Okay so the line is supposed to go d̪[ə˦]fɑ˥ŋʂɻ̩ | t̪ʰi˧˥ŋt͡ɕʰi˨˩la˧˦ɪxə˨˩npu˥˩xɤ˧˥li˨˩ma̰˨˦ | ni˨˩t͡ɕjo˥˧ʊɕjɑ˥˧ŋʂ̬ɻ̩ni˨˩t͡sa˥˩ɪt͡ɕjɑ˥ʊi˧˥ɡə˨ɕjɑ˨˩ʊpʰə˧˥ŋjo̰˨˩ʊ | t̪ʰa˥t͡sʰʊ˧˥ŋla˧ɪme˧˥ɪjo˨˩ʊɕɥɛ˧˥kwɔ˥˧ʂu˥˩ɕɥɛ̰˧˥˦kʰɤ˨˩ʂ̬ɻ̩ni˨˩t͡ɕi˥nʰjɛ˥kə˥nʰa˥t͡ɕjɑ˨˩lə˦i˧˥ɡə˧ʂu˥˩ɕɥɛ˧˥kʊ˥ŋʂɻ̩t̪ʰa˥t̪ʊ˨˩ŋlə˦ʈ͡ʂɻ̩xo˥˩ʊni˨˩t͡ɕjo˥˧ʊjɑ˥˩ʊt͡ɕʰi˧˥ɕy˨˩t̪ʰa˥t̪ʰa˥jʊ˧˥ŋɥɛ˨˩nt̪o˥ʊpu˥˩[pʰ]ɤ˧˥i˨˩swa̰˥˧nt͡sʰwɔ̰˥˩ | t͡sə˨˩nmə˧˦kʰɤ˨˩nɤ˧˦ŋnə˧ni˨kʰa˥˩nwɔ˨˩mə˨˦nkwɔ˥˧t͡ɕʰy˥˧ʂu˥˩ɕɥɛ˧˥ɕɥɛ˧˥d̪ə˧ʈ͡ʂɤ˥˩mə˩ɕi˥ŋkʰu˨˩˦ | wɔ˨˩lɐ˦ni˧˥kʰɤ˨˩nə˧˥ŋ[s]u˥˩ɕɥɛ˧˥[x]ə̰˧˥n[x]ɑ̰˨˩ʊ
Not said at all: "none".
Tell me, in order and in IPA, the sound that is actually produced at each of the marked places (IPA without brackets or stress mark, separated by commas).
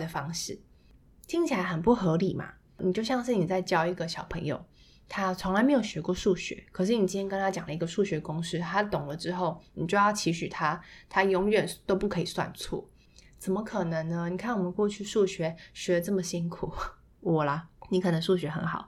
ə˩, kʰ, ʂ, x, x